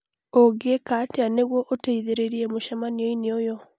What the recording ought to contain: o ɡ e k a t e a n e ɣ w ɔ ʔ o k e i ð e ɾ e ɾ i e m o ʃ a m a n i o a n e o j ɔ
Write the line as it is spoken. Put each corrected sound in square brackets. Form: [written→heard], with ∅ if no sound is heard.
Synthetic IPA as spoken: o ɡ e k a t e a n e ɣ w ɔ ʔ o [k→t] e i ð e ɾ e ɾ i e m o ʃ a m a n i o [a→i] n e o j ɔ